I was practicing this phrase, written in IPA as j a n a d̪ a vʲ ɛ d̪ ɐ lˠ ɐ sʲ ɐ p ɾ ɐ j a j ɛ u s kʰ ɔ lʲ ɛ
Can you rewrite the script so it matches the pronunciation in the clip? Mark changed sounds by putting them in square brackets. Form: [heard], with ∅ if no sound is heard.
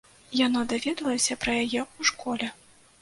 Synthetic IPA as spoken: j a n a d̪ a vʲ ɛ d̪ ɐ lˠ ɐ sʲ ɐ p ɾ ɐ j a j ɛ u [ʂ] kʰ ɔ lʲ ɛ

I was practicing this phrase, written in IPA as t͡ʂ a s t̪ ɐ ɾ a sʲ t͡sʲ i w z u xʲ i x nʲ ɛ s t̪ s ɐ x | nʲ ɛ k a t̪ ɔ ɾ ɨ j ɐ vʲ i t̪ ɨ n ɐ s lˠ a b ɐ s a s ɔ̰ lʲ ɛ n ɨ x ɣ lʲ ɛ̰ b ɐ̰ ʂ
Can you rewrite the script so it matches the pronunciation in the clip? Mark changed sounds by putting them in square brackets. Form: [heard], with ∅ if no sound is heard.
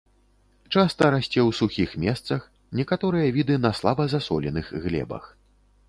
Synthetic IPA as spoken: t͡ʂ a s t̪ ɐ ɾ a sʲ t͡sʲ [ɛ] w [s] u xʲ i x [mʲ] ɛ s t̪ s ɐ x | nʲ ɛ k a t̪ ɔ ɾ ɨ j ɐ vʲ i [d̪] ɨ n ɐ s lˠ a b ɐ [z] a s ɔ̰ lʲ ɛ n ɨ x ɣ lʲ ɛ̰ b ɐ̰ [x]

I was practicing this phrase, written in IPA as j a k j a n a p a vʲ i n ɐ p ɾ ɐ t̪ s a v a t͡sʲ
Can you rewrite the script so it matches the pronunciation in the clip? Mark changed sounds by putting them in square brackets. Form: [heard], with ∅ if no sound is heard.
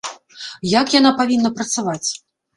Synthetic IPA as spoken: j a k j a n a p a vʲ i [nː] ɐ p ɾ ɐ t̪ s a v a t͡sʲ

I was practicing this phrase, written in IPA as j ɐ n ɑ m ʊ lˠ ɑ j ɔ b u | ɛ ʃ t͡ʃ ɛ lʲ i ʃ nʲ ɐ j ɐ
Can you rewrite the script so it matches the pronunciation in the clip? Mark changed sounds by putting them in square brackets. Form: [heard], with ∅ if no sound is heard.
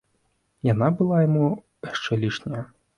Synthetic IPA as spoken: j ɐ n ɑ [b] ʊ lˠ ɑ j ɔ [m] u | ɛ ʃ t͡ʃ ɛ lʲ i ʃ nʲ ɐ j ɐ

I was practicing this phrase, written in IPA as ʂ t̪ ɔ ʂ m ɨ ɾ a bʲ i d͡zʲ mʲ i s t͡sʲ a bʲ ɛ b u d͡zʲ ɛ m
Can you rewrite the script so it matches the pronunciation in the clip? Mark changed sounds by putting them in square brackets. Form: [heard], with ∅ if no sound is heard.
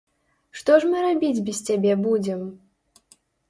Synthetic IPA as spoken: ʂ t̪ ɔ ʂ m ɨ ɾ a bʲ i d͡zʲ [bʲ] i s t͡sʲ a bʲ ɛ b u d͡zʲ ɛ m

